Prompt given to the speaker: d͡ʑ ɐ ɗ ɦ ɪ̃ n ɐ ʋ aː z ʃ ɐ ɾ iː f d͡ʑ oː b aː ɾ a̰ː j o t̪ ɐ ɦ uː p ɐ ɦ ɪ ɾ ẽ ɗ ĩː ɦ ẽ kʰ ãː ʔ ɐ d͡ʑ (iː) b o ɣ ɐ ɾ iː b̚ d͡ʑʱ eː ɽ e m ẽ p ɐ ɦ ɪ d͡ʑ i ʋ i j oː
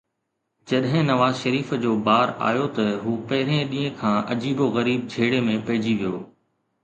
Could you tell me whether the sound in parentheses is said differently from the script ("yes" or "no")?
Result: no